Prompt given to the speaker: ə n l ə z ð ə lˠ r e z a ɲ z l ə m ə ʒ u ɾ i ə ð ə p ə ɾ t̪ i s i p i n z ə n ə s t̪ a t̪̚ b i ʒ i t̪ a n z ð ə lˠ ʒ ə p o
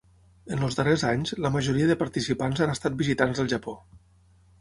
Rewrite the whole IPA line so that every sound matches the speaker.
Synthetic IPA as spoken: ə n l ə z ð ə r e z a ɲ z l ə m ə ʒ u ɾ i ə ð ə p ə ɾ t̪ i s i p a n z a n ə s t̪ a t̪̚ b i z i t̪ a n z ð ə lˠ ʒ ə p o